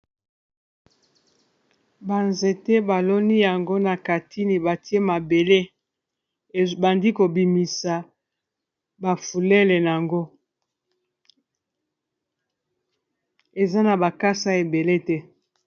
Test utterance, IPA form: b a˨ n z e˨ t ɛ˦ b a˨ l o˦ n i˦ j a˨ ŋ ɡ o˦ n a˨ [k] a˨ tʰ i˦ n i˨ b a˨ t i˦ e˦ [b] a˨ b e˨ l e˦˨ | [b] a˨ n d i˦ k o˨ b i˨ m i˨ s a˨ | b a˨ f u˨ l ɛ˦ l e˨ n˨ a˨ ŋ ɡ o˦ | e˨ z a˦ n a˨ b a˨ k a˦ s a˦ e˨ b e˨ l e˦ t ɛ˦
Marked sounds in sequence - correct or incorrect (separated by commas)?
correct, incorrect, correct